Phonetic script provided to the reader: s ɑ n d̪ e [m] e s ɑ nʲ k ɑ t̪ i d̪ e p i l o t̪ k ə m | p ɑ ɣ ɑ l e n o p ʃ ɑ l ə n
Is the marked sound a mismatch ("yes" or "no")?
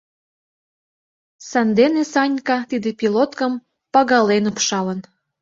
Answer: yes